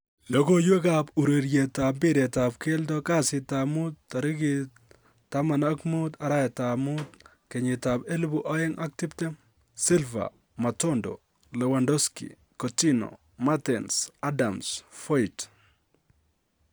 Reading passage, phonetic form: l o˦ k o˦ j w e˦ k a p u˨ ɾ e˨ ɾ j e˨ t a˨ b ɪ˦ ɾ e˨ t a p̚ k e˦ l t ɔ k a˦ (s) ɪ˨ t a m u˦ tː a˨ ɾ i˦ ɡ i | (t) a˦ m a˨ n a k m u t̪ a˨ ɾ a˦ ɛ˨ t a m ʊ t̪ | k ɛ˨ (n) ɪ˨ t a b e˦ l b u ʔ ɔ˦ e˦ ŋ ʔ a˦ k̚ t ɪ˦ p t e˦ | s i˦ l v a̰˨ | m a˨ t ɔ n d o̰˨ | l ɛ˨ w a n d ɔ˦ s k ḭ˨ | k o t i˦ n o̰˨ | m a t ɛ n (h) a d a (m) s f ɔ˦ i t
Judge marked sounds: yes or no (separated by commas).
yes, yes, no, no, yes